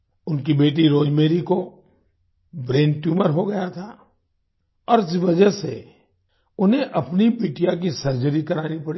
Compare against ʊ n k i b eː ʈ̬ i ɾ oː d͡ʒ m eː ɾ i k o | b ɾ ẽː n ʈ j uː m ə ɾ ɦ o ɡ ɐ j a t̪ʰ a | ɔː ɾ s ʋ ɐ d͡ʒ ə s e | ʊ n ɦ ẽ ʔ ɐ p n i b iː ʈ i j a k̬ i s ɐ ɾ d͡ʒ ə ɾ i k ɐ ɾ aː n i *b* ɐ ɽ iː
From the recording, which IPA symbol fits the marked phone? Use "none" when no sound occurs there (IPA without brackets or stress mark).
p